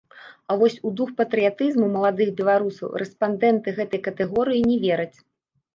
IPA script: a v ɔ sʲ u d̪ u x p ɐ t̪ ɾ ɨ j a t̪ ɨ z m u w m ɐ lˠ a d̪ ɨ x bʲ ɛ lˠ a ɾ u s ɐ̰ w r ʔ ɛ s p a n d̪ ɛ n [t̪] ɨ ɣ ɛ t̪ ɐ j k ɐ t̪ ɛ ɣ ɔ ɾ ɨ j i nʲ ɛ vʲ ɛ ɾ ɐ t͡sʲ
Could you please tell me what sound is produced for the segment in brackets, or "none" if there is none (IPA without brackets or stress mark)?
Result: t̪